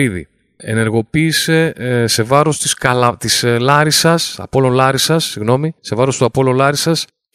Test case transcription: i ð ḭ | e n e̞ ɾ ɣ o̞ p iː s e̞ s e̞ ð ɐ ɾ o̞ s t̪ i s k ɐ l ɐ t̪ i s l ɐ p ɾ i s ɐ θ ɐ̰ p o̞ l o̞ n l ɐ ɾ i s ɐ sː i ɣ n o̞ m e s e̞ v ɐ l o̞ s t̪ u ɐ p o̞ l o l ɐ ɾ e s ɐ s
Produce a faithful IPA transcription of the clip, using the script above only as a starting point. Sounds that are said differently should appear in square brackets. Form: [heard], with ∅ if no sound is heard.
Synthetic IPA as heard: i ð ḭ | e n e̞ ɾ ɣ o̞ p iː s e̞ s e̞ [v] ɐ ɾ o̞ s t̪ i s k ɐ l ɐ t̪ i s l ɐ [∅] ɾ i s ɐ [s] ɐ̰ p o̞ l o̞ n l ɐ ɾ i s ɐ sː i ɣ n o̞ m [i] s e̞ v ɐ [ɾ] o̞ s t̪ u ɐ p o̞ l o l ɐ ɾ [i] s ɐ s